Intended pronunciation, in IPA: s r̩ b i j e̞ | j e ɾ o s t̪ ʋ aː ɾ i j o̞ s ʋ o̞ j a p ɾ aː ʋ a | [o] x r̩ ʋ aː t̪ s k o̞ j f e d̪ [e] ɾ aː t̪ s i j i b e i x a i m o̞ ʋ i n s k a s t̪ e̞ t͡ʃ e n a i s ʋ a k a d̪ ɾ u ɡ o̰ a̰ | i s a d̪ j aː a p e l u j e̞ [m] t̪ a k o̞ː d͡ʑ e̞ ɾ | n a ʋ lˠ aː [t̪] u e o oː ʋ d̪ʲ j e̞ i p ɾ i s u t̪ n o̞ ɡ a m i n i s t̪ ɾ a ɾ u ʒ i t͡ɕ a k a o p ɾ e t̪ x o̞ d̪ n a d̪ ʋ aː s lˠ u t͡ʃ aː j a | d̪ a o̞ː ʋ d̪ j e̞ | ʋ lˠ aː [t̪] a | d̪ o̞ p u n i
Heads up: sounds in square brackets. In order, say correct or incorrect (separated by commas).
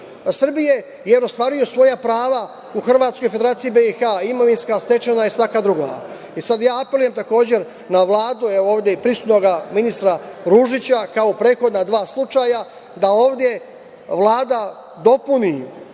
incorrect, correct, correct, incorrect, incorrect